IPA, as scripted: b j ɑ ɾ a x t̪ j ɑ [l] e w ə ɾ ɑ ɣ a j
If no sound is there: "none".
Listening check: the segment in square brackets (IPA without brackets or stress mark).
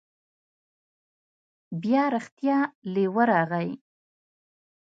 l